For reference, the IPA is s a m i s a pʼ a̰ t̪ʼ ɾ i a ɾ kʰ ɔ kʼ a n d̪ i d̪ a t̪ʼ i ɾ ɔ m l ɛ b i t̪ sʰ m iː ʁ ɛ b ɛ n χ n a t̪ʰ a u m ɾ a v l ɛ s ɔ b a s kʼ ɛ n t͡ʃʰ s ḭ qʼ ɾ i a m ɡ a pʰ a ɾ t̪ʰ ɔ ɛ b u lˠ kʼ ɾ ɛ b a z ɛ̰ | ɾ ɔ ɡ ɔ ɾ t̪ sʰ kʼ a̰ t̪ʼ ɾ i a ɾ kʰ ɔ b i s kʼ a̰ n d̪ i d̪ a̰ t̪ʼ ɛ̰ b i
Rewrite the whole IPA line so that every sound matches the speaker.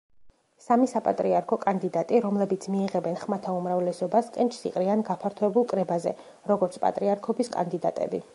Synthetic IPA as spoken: s a m i s a pʼ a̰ t̪ʼ ɾ i a ɾ kʰ ɔ kʼ a n d̪ i d̪ a t̪ʼ i ɾ ɔ m l ɛ b i t̪ sʰ m iː ʁ ɛ b ɛ n χ m a t̪ʰ a u m ɾ a v l ɛ s ɔ b a s kʼ ɛ n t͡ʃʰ s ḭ qʼ ɾ i a n ɡ a pʰ a ɾ t̪ʰ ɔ ɛ b u lˠ kʼ ɾ ɛ b a z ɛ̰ | ɾ ɔ ɡ ɔ ɾ t̪ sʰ pʼ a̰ t̪ʼ ɾ i a ɾ kʰ ɔ b i s kʼ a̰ n d̪ i d̪ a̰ t̪ʼ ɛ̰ b i